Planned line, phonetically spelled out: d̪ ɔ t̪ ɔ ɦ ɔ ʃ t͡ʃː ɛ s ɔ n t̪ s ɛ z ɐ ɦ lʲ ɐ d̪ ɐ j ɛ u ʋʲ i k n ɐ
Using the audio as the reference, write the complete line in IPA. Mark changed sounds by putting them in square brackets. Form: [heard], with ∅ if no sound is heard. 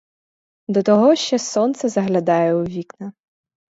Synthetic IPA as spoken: d̪ ɔ t̪ ɔ ɦ ɔ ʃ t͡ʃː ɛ s ɔ n t̪ s ɛ z ɐ ɦ lʲ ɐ d̪ [ɑ] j ɛ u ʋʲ i k n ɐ

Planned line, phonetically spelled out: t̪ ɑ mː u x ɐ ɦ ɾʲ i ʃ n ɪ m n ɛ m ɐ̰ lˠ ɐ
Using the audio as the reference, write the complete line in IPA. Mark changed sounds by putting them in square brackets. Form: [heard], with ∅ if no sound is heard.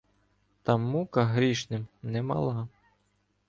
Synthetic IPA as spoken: t̪ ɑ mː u [k] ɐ ɦ ɾʲ i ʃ n ɪ m n ɛ m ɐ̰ lˠ [ɑ]

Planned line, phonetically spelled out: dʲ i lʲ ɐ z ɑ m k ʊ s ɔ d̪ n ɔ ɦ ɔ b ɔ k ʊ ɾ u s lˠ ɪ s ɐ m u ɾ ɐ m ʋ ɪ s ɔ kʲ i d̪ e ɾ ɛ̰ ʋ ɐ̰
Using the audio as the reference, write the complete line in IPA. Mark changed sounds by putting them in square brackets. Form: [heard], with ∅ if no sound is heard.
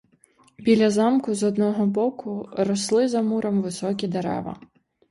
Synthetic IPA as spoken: [bʲ] i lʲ ɐ z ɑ m k ʊ [z] ɔ d̪ n ɔ ɦ ɔ b ɔ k ʊ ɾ [ɔ] s lˠ ɪ [z] ɐ m u ɾ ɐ m ʋ ɪ s ɔ kʲ i d̪ e ɾ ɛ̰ ʋ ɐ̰

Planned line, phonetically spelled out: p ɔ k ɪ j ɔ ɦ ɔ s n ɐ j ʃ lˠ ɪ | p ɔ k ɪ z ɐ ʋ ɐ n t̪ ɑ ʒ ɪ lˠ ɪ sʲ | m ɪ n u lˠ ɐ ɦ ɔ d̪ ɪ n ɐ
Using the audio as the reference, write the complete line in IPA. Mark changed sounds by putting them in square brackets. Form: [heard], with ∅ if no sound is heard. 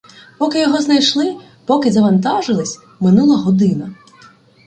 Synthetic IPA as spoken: p ɔ k ɪ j ɔ ɦ ɔ [z] n ɐ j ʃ lˠ ɪ | p ɔ k ɪ z ɐ ʋ ɐ n t̪ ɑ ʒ ɪ lˠ ɪ sʲ | m ɪ n u lˠ ɐ ɦ ɔ d̪ ɪ n ɐ

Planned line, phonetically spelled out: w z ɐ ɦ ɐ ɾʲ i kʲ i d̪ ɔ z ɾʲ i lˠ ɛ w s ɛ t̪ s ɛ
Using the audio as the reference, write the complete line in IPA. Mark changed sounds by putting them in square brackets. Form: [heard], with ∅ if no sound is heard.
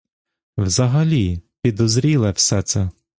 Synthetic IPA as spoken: w z ɐ ɦ ɐ [lʲ] i [pʲ] i d̪ ɔ z ɾʲ i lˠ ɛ w s ɛ t̪ s ɛ

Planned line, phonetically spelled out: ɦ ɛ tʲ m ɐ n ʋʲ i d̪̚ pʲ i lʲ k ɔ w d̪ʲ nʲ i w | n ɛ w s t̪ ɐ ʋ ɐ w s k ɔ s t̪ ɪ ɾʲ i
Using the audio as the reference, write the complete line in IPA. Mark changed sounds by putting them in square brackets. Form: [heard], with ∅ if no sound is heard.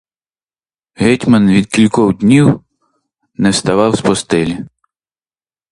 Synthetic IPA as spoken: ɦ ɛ tʲ m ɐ n ʋʲ i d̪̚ [kʲ] i lʲ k ɔ w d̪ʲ nʲ i w | n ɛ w s t̪ ɐ ʋ [ɑ] w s [p] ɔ s t̪ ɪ [lʲ] i

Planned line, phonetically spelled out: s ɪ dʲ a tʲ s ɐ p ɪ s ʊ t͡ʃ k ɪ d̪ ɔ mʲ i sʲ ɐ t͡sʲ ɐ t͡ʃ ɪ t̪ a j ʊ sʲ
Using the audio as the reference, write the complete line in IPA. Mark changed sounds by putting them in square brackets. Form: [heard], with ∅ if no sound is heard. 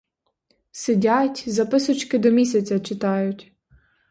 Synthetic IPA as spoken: s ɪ dʲ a tʲ [z] ɐ p ɪ s ʊ t͡ʃ k ɪ d̪ ɔ mʲ i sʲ ɐ t͡sʲ ɐ t͡ʃ ɪ t̪ [ɑ] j ʊ [tʲ]

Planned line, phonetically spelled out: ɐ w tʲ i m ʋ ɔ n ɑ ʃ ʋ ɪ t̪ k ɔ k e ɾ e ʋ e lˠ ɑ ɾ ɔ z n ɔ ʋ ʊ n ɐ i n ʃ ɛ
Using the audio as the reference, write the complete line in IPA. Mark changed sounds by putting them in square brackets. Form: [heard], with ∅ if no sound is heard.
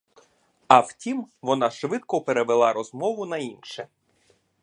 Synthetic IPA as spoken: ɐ w tʲ i m ʋ ɔ n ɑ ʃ ʋ ɪ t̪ k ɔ [p] e ɾ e ʋ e lˠ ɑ ɾ ɔ z [m] ɔ ʋ ʊ n ɐ i n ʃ ɛ

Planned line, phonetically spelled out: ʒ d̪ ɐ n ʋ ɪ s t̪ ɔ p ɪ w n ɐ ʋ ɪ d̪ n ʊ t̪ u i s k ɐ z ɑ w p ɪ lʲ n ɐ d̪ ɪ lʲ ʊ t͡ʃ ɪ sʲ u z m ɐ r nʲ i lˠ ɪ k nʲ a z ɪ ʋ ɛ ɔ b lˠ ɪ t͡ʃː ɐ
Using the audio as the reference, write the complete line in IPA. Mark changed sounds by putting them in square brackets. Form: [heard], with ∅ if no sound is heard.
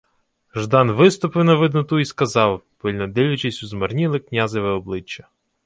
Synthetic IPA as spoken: ʒ d̪ [ɑ] n ʋ ɪ s t̪ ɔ p ɪ w n ɐ ʋ ɪ d̪ n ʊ t̪ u i s k ɐ z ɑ w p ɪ lʲ n ɐ d̪ ɪ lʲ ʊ t͡ʃ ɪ sʲ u z m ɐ r nʲ i lˠ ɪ k nʲ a z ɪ ʋ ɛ ɔ b lˠ ɪ t͡ʃː ɐ

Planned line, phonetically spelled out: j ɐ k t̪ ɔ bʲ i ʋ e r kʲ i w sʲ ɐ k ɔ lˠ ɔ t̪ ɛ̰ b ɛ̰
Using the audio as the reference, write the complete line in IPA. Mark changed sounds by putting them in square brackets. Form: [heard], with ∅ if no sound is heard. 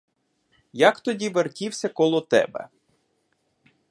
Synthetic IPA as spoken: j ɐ k t̪ ɔ [dʲ] i ʋ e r kʲ i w sʲ ɐ k ɔ lˠ ɔ t̪ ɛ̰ b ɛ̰

